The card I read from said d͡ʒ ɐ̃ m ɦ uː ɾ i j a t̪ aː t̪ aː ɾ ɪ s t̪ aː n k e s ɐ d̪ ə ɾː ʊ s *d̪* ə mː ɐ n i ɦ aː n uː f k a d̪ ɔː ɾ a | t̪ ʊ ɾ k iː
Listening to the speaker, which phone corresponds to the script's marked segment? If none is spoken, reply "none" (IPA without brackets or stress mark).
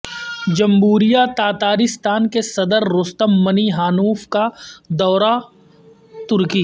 t̪